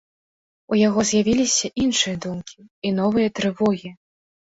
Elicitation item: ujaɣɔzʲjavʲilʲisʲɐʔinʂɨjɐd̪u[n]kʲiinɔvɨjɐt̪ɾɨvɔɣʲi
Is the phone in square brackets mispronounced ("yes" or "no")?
yes